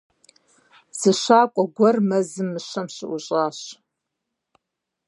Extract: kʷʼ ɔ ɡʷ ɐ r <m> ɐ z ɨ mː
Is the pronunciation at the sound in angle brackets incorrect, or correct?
correct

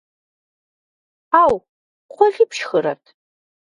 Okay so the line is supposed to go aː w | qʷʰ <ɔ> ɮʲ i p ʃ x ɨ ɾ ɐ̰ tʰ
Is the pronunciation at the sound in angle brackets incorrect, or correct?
correct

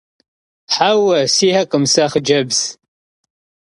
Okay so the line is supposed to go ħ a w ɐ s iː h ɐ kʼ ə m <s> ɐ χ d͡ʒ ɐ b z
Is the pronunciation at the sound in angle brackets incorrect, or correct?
correct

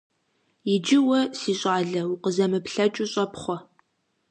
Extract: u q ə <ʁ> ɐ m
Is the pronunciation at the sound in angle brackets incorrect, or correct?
incorrect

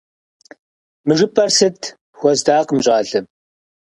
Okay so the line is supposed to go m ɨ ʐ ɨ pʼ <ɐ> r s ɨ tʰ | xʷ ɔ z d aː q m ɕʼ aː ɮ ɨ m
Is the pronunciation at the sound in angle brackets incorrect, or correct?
correct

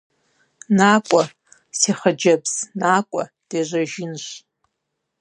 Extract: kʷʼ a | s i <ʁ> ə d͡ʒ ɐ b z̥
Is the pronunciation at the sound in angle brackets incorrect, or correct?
incorrect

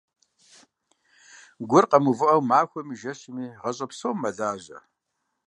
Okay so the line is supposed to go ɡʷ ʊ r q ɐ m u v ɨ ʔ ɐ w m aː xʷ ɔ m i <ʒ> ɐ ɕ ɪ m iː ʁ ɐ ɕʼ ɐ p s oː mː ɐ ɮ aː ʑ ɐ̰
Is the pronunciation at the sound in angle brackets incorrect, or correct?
correct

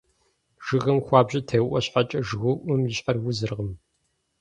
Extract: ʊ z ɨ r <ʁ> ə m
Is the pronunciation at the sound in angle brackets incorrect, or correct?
correct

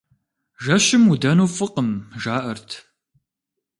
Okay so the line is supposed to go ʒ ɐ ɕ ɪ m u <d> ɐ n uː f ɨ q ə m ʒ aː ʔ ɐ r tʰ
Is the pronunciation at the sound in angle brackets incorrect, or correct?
correct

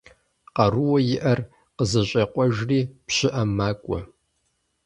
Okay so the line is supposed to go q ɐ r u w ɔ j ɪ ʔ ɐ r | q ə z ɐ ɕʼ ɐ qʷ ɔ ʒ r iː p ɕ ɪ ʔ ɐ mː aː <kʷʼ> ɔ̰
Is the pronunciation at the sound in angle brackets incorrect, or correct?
correct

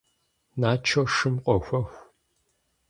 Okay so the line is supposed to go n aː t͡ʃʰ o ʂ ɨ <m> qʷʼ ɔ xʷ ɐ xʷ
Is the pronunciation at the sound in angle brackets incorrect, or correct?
correct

